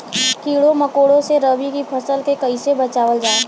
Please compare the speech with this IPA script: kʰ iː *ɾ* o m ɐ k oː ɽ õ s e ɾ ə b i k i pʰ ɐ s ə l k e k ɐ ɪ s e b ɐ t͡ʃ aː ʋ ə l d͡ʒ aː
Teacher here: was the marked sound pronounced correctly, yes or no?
no